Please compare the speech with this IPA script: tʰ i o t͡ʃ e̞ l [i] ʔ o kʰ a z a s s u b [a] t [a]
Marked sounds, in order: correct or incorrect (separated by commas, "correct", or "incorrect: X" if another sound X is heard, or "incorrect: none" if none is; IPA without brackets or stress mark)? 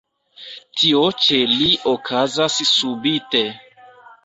correct, incorrect: i, incorrect: e